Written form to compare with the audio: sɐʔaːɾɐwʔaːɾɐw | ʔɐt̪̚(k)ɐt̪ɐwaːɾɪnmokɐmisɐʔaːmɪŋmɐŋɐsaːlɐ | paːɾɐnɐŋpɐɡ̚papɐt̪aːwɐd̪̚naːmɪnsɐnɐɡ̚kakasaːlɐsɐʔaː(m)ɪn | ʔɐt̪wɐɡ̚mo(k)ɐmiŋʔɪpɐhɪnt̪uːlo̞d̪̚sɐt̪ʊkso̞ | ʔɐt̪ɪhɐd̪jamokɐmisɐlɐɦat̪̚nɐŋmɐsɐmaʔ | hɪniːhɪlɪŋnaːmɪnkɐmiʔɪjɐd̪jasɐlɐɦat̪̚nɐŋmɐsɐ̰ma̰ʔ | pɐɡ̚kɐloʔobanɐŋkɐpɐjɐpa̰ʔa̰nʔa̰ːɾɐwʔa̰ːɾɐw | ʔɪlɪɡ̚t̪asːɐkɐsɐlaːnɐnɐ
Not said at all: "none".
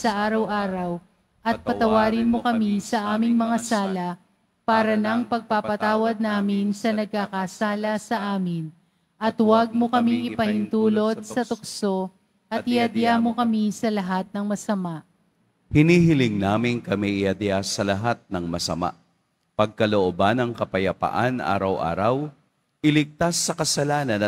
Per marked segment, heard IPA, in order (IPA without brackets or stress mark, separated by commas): p, m, k